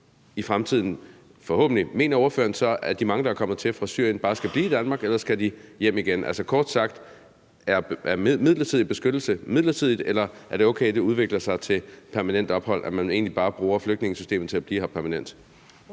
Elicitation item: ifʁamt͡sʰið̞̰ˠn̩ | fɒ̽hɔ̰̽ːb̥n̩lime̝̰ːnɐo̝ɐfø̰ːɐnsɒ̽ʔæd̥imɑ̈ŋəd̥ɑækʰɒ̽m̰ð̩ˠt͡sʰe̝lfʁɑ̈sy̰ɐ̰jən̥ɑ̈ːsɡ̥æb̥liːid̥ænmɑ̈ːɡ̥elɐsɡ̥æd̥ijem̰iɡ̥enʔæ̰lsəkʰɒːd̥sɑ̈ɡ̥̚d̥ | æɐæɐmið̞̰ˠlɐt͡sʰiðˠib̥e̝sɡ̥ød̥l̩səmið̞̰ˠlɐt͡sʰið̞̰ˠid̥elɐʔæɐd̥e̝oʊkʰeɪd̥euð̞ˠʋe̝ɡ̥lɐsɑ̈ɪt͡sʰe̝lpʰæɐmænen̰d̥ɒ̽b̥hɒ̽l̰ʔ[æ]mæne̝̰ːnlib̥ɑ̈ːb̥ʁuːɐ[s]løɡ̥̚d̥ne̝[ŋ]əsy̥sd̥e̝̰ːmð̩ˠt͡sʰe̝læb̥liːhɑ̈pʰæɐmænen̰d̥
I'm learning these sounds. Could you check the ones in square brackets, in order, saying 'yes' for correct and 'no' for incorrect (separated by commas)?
yes, no, yes